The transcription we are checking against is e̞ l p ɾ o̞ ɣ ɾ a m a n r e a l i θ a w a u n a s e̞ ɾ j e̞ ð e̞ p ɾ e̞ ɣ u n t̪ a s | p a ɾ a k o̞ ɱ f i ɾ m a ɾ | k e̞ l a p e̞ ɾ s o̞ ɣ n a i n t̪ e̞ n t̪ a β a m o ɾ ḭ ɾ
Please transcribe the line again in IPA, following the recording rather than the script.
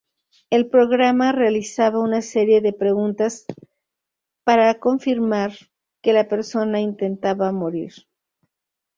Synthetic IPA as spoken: e̞ l p ɾ o̞ ɣ ɾ a m a r e a l i s a β a u n a s e̞ ɾ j e̞ ð e̞ p ɾ e̞ ɣ u n t̪ a s | p a ɾ a k o̞ ɱ f i ɾ m a ɾ | k e̞ l a p e̞ ɾ s o̞ n a i n t̪ e̞ n t̪ a β a m o ɾ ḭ ɾ